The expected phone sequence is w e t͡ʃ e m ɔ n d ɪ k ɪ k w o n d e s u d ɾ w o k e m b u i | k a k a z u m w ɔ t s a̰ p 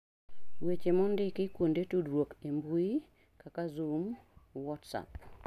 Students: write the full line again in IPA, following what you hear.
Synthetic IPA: w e t͡ʃ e m ɔ n d ɪ k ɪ k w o n d e t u d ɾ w o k e m b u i | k a k a z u m w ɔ t s a̰ p